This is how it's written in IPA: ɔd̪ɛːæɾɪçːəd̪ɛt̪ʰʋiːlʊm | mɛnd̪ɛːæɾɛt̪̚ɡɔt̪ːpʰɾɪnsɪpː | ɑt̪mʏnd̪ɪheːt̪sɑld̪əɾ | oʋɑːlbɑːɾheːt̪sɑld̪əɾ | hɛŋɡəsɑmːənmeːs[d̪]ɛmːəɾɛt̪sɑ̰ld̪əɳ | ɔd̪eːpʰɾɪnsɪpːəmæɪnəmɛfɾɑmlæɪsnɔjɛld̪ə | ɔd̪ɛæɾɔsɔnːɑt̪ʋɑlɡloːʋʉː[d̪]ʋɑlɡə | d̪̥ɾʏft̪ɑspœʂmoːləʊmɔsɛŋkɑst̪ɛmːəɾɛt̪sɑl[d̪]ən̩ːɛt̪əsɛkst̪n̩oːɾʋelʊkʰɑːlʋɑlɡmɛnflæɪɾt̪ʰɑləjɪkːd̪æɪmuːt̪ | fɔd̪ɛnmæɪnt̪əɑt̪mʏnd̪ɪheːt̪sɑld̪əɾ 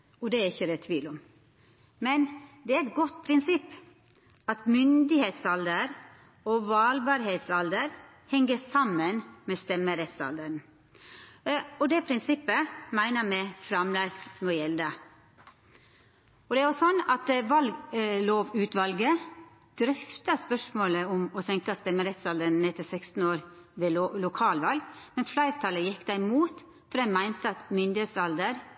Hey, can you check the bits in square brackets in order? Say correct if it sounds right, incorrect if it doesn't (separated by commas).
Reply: incorrect, incorrect, correct